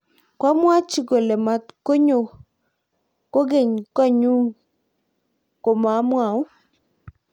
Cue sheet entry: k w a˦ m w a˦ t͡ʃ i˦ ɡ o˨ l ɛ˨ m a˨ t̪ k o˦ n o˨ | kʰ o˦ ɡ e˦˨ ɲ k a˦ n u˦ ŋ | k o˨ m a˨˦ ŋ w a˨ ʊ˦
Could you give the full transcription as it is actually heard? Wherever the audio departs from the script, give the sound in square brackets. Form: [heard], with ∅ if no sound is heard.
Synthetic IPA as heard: k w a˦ m w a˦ t͡ʃ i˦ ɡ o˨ l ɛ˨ m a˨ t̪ k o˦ [ɲ] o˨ | [k] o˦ ɡ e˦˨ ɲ k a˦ [ɲ] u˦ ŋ | k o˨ m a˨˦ [m] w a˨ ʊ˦